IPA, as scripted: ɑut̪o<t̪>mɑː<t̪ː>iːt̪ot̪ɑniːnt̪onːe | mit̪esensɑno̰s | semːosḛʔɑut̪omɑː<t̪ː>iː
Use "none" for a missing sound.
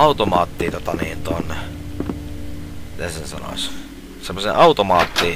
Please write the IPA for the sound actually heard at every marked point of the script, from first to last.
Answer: none, t̪ː, t̪ː

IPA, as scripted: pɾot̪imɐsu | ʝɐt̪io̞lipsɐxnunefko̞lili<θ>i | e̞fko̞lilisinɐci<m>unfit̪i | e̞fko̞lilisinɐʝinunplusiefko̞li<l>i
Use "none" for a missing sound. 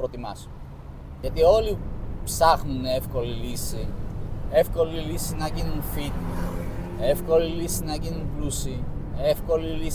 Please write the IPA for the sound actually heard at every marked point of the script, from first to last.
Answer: s, n, l

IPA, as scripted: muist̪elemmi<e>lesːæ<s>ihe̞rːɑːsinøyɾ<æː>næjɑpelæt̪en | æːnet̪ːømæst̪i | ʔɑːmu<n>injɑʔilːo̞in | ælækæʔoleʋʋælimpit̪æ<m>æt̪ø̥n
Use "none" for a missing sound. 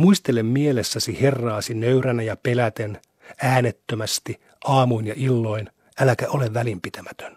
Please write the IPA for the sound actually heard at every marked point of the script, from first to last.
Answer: e, s, æ, none, m

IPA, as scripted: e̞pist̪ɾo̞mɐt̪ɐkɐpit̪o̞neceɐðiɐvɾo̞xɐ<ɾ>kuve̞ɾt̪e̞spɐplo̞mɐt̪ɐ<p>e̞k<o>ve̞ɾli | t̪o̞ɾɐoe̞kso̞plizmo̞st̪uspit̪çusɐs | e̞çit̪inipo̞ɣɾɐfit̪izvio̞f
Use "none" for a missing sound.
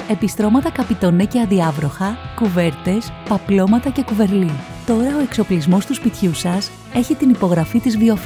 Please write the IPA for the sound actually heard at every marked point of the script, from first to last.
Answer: none, c, u

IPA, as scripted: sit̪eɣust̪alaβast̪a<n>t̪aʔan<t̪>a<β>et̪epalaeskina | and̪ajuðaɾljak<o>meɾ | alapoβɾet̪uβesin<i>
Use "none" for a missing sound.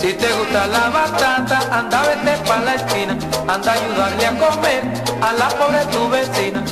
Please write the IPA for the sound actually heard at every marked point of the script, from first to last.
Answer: n, d̪, β, o, a

